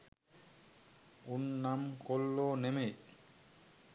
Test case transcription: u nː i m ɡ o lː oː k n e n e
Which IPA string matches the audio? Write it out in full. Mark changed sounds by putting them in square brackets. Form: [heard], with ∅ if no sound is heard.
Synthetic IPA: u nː [a] m [k] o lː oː [∅] n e [m] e